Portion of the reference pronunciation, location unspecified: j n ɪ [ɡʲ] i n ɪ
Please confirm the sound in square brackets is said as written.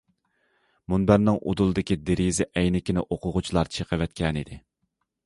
no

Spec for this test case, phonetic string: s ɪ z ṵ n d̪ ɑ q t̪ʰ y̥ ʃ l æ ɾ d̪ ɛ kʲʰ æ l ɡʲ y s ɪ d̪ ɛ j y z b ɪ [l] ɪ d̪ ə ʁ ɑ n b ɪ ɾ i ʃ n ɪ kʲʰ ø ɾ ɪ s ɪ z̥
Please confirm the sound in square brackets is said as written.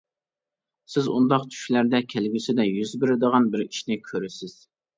no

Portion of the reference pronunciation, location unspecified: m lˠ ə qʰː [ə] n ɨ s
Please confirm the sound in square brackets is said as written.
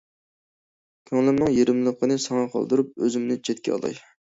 yes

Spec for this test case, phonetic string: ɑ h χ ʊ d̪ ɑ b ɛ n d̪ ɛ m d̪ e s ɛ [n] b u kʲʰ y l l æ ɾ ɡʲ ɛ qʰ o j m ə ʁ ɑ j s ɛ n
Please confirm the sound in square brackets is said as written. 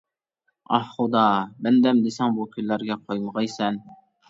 no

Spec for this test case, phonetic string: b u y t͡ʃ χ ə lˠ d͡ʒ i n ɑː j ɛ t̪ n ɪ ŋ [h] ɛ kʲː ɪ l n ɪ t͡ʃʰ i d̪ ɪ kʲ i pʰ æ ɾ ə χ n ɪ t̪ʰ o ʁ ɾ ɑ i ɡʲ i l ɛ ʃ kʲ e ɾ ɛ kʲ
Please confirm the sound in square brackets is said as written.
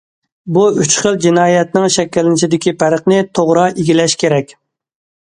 no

